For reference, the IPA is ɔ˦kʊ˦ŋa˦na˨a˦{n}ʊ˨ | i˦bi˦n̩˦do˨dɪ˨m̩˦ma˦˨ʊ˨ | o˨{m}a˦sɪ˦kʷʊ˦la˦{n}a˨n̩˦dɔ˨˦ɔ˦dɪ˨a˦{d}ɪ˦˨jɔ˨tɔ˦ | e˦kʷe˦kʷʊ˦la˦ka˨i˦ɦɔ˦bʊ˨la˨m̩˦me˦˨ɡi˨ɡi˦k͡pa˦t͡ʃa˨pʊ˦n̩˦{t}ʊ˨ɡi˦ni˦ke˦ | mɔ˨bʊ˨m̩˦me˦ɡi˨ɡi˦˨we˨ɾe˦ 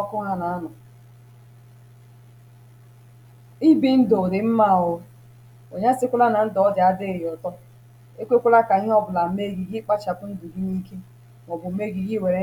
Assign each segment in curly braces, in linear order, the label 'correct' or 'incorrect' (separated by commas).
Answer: correct, incorrect, correct, correct, incorrect